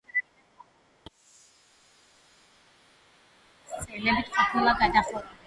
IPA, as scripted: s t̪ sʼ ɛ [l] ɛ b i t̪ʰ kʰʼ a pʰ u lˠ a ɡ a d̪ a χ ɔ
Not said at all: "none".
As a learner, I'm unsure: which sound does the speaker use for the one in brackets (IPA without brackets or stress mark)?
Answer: l